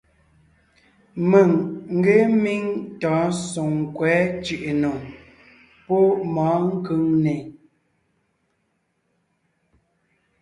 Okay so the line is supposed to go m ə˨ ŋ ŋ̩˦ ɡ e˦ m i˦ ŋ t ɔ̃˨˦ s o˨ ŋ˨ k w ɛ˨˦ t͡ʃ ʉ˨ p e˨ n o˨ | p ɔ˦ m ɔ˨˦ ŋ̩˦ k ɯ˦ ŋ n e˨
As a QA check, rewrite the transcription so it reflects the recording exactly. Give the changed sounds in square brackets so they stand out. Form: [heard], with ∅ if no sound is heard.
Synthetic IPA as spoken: m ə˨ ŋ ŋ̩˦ ɡ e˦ m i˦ ŋ t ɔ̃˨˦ s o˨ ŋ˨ k w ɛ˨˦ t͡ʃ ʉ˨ [ʔ] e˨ n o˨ | p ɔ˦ m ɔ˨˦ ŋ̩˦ k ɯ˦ ŋ n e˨